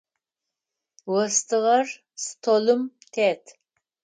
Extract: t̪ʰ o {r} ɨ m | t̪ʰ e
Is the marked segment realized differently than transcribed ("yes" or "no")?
yes